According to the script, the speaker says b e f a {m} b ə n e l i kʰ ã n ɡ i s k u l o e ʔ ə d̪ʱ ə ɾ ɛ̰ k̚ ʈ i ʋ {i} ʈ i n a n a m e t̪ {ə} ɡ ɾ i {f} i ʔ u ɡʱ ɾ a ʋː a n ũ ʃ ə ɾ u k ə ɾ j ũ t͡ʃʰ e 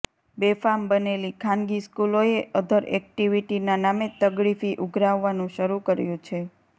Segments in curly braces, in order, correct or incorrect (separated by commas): correct, correct, correct, correct